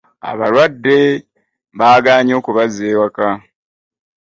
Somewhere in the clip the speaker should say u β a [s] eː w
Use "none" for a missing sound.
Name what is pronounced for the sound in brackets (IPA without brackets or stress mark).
z